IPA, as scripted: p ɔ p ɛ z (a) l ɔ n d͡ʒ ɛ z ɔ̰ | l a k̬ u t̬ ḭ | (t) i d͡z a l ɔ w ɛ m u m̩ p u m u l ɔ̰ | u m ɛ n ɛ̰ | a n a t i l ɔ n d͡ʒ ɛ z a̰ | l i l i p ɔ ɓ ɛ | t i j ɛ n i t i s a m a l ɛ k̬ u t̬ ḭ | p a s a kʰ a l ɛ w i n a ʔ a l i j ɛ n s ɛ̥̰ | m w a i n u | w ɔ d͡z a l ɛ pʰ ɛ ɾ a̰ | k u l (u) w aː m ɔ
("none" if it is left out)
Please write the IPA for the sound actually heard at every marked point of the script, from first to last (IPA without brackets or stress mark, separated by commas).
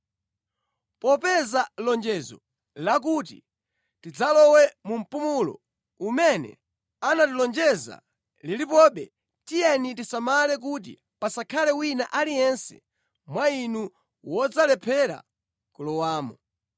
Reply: a, t, ɔ